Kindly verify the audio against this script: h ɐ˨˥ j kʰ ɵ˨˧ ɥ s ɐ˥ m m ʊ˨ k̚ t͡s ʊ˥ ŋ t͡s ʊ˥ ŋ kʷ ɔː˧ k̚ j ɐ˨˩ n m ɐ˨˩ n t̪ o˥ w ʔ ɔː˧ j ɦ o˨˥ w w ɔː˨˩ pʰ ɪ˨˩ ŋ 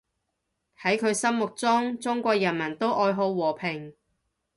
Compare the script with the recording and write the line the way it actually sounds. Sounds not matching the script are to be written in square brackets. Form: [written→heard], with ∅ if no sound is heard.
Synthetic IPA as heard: h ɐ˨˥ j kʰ ɵ˨˧ ɥ s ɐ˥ m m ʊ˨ k̚ t͡s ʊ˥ ŋ t͡s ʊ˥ ŋ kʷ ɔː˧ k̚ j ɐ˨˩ n m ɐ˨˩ n t̪ o˥ w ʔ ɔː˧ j ɦ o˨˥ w w ɔː˨˩ pʰ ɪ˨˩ ŋ